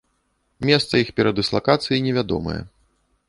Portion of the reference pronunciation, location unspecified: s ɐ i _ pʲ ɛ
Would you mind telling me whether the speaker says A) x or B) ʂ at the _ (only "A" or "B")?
A